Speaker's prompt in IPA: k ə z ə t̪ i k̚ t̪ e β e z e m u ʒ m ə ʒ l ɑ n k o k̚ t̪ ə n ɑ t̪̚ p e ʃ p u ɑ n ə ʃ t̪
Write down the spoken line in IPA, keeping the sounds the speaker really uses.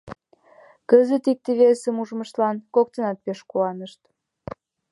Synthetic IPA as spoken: k ə z ə t̪ i k̚ t̪ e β e s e m u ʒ m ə ʃ l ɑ n k o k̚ t̪ ə n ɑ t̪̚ p e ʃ k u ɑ n ə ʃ t̪